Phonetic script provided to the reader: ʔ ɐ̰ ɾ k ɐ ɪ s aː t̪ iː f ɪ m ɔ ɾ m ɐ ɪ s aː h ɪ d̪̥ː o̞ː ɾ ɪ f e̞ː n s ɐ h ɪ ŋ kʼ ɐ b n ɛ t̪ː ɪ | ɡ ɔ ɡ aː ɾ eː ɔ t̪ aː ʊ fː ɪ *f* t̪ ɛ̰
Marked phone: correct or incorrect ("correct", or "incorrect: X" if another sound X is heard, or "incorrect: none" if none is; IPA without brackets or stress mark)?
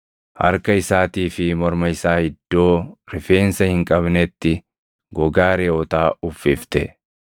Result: correct